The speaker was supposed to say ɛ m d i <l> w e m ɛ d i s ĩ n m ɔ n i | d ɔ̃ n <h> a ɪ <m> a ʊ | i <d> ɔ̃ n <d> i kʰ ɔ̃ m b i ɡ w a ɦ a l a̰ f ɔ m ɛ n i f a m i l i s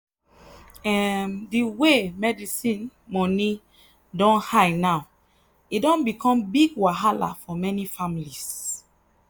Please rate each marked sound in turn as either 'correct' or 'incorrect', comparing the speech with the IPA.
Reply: incorrect: none, correct, incorrect: n, correct, incorrect: b

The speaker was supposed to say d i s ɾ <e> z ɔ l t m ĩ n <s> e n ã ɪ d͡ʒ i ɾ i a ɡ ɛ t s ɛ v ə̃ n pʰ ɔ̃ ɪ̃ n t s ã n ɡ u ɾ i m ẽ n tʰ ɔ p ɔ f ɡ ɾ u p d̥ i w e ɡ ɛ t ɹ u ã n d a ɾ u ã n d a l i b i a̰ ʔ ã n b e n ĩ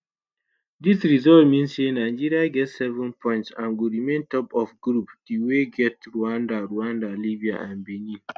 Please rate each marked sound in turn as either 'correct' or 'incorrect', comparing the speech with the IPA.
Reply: incorrect: i, correct

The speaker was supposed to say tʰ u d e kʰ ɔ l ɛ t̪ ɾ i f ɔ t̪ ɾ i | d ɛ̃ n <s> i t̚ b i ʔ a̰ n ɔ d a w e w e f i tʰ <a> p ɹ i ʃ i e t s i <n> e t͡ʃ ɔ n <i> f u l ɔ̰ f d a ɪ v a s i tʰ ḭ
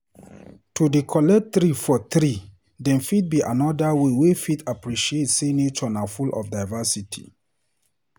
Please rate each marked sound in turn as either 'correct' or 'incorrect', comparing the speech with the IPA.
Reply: incorrect: f, correct, correct, incorrect: a

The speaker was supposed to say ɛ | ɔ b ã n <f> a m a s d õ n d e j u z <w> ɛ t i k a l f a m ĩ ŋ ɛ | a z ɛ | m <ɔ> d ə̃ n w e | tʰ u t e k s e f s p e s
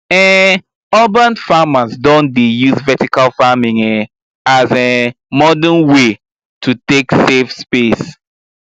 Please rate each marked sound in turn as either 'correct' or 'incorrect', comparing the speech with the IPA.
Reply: correct, incorrect: v, correct

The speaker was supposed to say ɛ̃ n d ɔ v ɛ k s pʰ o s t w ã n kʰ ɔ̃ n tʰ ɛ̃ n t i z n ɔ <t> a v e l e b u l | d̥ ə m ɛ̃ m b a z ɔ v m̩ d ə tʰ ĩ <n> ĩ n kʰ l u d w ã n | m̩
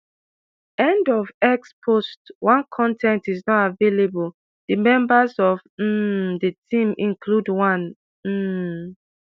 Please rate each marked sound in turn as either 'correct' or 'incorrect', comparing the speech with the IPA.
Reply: correct, incorrect: m

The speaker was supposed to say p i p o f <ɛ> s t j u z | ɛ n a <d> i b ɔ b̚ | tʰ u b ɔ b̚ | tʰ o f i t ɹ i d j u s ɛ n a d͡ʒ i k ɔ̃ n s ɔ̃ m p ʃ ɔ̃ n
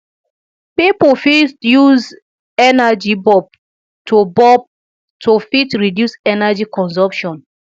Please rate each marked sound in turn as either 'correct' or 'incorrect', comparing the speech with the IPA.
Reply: incorrect: i, incorrect: d͡ʒ

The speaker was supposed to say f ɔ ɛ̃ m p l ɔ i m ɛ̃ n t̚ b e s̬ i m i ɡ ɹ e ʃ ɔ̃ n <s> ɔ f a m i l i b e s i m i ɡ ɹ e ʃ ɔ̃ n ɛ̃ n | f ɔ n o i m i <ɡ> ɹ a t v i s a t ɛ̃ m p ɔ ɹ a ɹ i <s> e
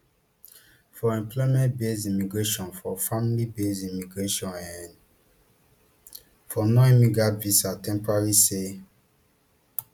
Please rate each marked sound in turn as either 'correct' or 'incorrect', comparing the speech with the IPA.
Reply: incorrect: f, correct, correct

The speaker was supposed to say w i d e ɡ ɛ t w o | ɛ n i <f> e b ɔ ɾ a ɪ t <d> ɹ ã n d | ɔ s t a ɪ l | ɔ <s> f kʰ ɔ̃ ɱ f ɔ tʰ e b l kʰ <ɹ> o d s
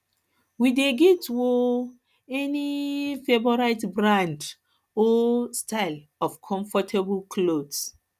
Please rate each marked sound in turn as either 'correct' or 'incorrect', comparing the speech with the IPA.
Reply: correct, incorrect: b, incorrect: none, incorrect: l

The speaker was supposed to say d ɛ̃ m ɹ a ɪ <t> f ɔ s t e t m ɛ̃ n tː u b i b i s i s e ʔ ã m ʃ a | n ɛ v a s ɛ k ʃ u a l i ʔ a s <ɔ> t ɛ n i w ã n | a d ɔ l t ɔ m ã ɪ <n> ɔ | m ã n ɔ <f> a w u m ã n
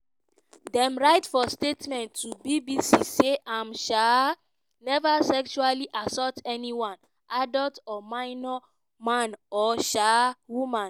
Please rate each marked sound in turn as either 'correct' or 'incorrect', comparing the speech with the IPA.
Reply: correct, correct, correct, incorrect: ʃ

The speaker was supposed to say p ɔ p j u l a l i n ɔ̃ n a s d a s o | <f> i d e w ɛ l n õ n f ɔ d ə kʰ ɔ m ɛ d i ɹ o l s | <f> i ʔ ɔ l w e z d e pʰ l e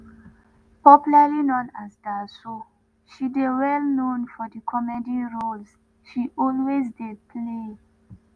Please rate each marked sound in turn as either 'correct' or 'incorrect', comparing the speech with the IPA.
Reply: incorrect: ʃ, incorrect: ʃ

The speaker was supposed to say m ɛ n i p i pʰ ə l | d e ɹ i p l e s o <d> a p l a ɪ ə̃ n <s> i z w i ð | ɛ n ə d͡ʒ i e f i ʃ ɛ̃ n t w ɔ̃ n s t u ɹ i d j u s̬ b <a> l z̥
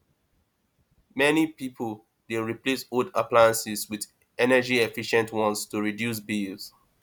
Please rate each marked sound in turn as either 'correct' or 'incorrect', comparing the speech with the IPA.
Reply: correct, correct, incorrect: i

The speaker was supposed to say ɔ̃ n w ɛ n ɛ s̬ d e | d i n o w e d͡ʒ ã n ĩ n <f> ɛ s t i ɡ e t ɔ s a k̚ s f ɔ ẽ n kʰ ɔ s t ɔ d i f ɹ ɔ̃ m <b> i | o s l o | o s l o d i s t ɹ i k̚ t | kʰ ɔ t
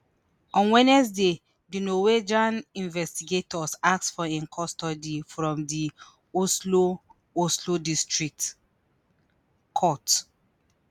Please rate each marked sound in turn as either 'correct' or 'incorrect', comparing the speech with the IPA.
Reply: incorrect: v, incorrect: d

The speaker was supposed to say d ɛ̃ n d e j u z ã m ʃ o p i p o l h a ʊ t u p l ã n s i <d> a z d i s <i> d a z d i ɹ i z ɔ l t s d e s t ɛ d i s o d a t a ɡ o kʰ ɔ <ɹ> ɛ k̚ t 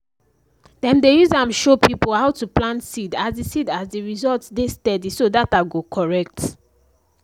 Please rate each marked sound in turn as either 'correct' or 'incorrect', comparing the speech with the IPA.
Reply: correct, correct, correct

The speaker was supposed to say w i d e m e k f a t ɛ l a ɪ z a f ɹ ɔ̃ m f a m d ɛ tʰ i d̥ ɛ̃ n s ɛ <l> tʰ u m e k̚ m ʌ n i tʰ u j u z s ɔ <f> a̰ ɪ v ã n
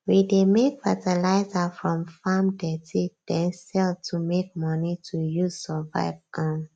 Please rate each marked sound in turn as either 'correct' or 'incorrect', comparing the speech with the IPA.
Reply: correct, incorrect: v

